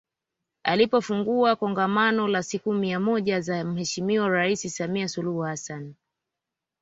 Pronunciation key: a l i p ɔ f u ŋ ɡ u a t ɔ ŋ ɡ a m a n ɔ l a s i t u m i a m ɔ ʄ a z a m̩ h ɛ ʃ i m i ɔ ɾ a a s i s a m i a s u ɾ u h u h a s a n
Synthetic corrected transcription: a l i p ɔ f u ŋ ɡ u a k ɔ ŋ ɡ a m a n ɔ l a s i k u m i a m ɔ ʄ a z a m̩ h ɛ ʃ i m i ɔ ɾ a i s i s a m i a s u l u h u h a s a n